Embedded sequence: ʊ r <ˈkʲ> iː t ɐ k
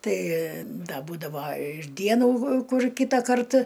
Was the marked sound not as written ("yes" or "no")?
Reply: no